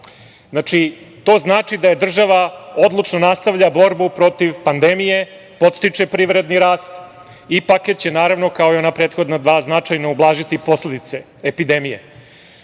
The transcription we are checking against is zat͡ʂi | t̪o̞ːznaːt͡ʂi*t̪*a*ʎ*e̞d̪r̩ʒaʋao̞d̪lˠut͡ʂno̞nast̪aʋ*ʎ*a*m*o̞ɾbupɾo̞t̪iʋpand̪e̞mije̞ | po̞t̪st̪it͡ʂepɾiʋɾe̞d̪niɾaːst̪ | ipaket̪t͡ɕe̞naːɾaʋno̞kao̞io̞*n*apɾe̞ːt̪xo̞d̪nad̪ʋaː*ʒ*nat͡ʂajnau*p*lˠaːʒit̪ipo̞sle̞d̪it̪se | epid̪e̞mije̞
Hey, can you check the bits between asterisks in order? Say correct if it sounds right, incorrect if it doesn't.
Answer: incorrect, incorrect, correct, incorrect, correct, incorrect, incorrect

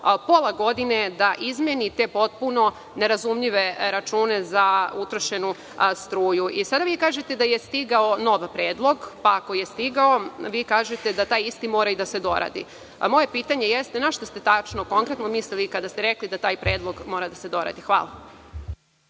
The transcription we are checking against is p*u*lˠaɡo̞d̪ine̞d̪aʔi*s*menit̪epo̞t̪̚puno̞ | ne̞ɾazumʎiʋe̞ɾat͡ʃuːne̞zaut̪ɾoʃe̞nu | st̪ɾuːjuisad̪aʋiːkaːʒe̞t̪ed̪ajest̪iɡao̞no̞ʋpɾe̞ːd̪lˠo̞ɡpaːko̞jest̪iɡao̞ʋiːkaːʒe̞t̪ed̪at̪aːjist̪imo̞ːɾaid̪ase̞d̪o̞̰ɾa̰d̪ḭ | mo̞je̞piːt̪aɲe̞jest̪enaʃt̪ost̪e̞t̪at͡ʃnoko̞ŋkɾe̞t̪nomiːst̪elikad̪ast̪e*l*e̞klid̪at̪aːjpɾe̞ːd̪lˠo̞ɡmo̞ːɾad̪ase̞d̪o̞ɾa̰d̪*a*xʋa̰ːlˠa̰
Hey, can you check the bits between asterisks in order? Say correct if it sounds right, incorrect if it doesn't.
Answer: incorrect, incorrect, incorrect, incorrect

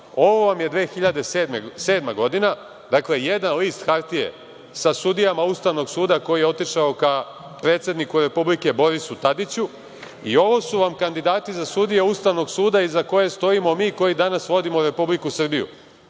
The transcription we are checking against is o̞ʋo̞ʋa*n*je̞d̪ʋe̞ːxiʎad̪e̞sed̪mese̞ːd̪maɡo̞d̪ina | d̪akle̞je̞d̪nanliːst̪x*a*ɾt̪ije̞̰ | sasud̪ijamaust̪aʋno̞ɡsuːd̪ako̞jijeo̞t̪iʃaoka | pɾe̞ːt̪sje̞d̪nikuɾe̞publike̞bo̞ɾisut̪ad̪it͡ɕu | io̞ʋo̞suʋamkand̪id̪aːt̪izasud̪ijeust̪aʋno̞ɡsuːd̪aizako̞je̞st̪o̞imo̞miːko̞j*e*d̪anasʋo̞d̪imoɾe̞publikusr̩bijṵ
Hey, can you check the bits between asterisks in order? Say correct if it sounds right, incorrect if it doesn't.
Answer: incorrect, correct, incorrect

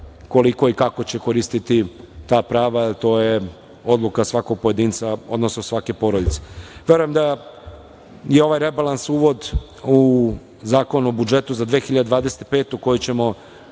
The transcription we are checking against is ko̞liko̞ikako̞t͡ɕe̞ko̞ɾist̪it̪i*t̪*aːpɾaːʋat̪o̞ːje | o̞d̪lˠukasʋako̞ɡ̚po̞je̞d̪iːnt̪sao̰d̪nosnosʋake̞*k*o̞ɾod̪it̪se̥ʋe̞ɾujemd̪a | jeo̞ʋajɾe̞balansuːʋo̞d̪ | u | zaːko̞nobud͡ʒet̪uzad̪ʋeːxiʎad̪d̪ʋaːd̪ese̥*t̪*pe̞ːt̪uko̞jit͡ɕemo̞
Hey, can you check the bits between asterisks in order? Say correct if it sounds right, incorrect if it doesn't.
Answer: correct, incorrect, correct

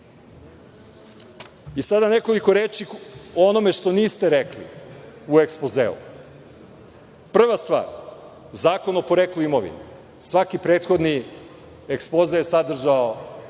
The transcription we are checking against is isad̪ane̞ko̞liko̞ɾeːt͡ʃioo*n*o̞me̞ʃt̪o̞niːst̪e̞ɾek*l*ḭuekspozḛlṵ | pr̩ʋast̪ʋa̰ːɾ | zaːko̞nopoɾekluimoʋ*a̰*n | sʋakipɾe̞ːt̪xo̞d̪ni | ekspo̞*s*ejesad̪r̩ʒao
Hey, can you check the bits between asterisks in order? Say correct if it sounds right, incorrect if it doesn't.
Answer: correct, correct, incorrect, incorrect

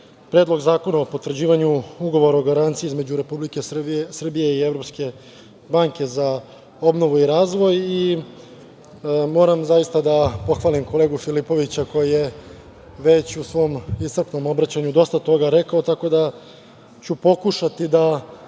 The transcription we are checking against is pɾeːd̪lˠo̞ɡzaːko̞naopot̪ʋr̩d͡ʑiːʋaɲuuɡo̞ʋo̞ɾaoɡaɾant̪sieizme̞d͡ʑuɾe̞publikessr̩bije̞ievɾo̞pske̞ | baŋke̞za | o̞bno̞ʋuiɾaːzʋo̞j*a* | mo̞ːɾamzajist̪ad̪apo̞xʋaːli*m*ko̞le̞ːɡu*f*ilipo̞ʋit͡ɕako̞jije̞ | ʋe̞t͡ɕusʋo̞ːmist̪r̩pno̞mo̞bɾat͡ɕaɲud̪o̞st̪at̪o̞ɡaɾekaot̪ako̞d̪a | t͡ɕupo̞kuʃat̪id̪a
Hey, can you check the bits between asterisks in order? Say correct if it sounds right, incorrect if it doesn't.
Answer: incorrect, correct, correct

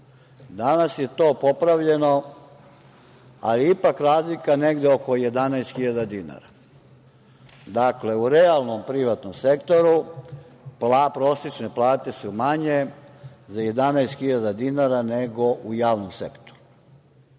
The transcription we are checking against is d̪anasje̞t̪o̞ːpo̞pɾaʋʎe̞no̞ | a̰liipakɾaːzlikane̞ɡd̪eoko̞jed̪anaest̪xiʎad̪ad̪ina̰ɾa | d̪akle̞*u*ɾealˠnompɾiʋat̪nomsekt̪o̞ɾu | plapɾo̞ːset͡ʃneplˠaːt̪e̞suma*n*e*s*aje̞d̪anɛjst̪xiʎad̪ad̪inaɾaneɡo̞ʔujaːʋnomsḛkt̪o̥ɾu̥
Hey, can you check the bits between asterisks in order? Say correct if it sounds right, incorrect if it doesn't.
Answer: correct, incorrect, incorrect

